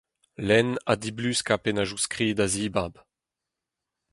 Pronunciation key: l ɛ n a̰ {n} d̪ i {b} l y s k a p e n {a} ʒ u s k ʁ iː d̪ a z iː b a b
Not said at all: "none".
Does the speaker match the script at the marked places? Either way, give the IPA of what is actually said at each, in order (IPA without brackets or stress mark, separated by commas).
none, b, a